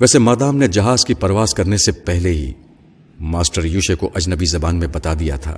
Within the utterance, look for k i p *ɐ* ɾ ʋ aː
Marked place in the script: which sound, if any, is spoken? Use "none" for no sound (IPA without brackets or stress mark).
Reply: ɐ